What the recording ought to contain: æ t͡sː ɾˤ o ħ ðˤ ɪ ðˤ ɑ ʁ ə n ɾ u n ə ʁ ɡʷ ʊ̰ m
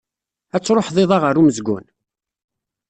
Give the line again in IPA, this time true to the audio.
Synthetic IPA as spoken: æ t͡sː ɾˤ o ħ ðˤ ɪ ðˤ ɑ ʁ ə ɾ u m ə z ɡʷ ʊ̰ n